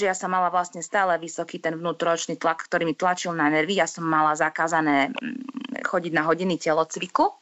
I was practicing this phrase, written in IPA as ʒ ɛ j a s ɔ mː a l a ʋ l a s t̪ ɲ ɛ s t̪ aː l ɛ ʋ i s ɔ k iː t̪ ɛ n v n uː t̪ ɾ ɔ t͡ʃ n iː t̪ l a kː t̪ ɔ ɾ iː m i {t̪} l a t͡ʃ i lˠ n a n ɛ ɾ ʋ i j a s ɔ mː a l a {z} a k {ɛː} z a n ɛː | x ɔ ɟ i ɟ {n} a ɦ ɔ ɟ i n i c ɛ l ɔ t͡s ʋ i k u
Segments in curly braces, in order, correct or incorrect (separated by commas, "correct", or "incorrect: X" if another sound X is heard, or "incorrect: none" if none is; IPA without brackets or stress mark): correct, correct, incorrect: aː, correct